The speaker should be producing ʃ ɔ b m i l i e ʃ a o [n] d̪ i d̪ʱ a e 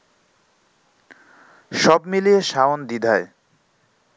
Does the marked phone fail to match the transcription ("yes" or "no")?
no